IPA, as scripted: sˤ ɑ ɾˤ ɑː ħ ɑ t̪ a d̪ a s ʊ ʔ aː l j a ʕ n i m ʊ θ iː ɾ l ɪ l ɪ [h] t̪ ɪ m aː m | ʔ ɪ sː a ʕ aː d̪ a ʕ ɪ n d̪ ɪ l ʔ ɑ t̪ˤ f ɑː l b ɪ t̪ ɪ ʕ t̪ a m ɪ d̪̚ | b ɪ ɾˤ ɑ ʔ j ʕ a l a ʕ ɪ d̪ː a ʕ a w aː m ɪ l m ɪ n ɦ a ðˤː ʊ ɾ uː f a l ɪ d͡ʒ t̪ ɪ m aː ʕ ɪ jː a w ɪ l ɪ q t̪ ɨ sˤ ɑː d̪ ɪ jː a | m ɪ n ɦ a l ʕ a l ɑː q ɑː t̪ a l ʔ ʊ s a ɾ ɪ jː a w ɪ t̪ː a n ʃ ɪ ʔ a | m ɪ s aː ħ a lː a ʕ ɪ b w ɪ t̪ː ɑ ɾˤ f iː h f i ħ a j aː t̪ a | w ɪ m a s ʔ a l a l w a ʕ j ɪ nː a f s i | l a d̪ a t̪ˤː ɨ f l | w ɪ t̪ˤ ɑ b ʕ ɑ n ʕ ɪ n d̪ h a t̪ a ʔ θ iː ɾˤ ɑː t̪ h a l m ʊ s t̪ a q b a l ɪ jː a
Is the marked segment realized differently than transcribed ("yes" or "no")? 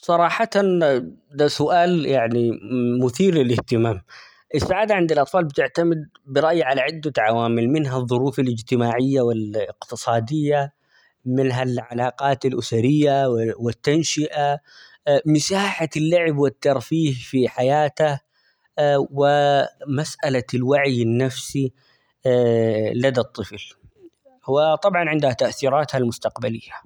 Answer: no